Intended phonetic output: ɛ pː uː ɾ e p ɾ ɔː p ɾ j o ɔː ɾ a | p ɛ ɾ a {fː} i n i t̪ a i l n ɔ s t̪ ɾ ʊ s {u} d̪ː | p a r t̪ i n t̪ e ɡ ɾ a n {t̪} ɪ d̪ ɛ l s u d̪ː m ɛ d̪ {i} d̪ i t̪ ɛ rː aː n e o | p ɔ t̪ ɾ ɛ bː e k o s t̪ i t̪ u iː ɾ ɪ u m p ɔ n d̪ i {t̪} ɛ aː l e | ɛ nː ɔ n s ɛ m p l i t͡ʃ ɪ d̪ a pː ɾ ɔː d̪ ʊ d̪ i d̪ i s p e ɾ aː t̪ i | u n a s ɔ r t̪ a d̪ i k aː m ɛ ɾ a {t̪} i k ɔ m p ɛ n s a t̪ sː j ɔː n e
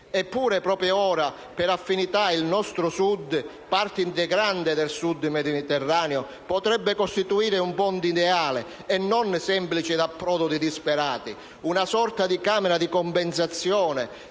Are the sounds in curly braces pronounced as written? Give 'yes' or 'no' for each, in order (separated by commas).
yes, yes, no, yes, no, no